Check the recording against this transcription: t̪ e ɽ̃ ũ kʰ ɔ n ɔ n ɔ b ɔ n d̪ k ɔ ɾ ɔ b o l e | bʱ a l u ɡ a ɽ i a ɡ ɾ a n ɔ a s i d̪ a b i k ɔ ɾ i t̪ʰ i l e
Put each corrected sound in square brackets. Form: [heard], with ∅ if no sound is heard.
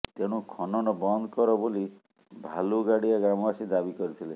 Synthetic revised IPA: t̪ e ɽ̃ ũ kʰ ɔ n ɔ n ɔ b ɔ n d̪ k ɔ ɾ ɔ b o l [i] | bʱ a l u ɡ a ɽ i a ɡ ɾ a [m] ɔ a s i d̪ a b i k ɔ ɾ i t̪ʰ i l e

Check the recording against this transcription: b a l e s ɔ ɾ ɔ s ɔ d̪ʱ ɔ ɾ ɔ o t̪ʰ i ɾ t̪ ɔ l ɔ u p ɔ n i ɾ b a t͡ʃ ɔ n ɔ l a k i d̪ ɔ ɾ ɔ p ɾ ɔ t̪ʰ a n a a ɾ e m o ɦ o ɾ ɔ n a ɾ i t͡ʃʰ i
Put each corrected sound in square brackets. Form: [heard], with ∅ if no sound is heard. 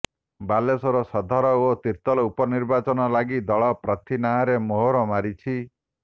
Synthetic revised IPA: b a l e s ɔ ɾ ɔ s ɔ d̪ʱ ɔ ɾ ɔ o [t̪] i ɾ t̪ ɔ l ɔ u p ɔ n i ɾ b a t͡ʃ ɔ n ɔ l a [ɡ] i d̪ ɔ [ɭ] ɔ p ɾ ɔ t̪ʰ [i] n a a ɾ e m o ɦ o ɾ ɔ [m] a ɾ i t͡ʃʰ i

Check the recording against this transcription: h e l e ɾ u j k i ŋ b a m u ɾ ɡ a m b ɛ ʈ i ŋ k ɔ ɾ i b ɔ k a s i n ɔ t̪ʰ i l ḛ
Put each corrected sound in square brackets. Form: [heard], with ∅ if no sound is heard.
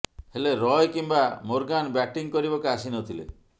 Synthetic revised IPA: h e l e ɾ [ɔ] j k i [m] b a m [o] ɾ ɡ a [n] b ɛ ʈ i ŋ k ɔ ɾ i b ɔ k a s i n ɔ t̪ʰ i l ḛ

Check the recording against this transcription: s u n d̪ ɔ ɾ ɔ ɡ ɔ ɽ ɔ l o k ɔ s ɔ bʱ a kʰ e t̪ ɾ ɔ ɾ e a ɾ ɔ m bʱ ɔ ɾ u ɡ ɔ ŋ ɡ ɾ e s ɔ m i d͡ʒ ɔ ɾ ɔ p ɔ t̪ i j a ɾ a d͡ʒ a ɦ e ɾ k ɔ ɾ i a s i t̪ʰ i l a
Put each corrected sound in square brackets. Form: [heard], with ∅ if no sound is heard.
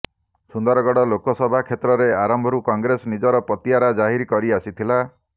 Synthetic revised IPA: s u n d̪ ɔ ɾ ɔ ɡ ɔ ɽ ɔ l o k ɔ s ɔ bʱ a kʰ e t̪ ɾ ɔ ɾ e a ɾ ɔ m bʱ ɔ ɾ u [k] ɔ ŋ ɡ ɾ e s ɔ [n] i d͡ʒ ɔ ɾ ɔ p ɔ t̪ i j a ɾ a d͡ʒ a ɦ [i] ɾ k ɔ ɾ i a s i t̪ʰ i l a

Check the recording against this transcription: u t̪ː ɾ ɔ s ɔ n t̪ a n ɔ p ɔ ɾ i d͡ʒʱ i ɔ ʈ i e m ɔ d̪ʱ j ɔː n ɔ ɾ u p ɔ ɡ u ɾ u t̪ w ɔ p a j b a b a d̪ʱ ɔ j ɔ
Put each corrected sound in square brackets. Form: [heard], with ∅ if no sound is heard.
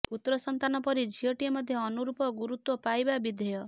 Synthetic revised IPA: u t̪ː ɾ ɔ s ɔ n t̪ a n ɔ p ɔ ɾ i d͡ʒʱ i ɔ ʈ i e m ɔ d̪ʱ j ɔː n [u] ɾ u p ɔ ɡ u ɾ u t̪ w ɔ p a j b a b [i] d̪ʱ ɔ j ɔ

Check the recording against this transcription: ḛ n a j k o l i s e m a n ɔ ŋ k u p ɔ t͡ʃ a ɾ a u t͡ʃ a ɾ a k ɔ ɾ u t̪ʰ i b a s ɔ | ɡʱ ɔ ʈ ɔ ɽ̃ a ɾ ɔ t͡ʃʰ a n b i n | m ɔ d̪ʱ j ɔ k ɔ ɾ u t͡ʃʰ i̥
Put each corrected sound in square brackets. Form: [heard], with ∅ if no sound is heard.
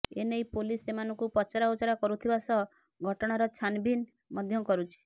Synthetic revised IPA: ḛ n [e] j [p] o l i s e m a n ɔ ŋ k u p ɔ t͡ʃ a ɾ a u t͡ʃ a ɾ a k ɔ ɾ u t̪ʰ i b a s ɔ | ɡʱ ɔ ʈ ɔ ɽ̃ a ɾ ɔ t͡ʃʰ a n b i n | m ɔ d̪ʱ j ɔ k ɔ ɾ u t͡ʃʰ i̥

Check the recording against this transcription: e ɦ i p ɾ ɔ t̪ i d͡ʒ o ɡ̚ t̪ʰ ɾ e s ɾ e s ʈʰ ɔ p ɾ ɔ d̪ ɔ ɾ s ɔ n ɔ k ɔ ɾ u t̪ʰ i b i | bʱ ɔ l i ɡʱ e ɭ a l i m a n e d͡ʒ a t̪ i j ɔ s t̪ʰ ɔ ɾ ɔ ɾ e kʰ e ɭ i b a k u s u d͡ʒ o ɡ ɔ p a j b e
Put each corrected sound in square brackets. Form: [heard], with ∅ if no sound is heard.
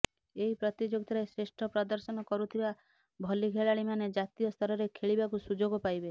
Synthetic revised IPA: e ɦ i p ɾ ɔ t̪ i d͡ʒ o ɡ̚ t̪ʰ ɾ e s ɾ e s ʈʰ ɔ p ɾ ɔ d̪ ɔ ɾ s ɔ n ɔ k ɔ ɾ u t̪ʰ i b [a] | bʱ ɔ l i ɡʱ e ɭ a [ɭ] i m a n e d͡ʒ a t̪ i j ɔ s t̪ʰ ɔ ɾ ɔ ɾ e kʰ e ɭ i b a k u s u d͡ʒ o ɡ ɔ p a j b e

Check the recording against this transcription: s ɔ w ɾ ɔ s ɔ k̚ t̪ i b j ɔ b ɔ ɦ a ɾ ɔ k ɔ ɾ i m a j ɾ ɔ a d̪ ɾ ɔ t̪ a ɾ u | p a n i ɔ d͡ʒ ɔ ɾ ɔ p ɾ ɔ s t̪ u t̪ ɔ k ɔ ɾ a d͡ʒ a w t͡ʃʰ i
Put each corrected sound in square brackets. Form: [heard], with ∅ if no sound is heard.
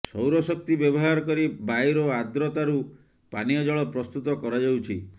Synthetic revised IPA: s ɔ w ɾ ɔ s ɔ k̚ t̪ i b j ɔ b ɔ ɦ a ɾ ɔ k ɔ ɾ i [b] a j ɾ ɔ a d̪ ɾ ɔ t̪ a ɾ u | p a n i ɔ d͡ʒ ɔ [ɭ] ɔ p ɾ ɔ s t̪ u t̪ ɔ k ɔ ɾ a d͡ʒ a w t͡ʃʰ i

